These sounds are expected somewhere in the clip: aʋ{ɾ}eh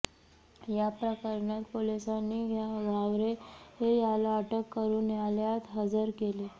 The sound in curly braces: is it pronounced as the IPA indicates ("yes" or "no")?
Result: yes